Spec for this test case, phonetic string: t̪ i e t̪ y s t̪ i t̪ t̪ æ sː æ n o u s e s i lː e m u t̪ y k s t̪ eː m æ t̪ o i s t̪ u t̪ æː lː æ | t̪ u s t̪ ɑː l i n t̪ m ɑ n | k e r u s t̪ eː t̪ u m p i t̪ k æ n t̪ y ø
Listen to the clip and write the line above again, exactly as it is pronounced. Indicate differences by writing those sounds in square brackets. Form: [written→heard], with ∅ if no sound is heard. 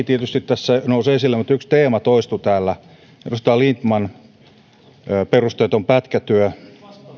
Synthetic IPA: t̪ i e t̪ y s t̪ i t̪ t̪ æ sː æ n o u s e s i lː e m u t̪ y k s t̪ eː m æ t̪ o i s t̪ u t̪ æː lː æ | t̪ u s t̪ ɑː l i n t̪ m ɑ n | [k→p] e r u s t̪ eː t̪ [u→o] m p [i→æ] t̪ k æ [n→∅] t̪ y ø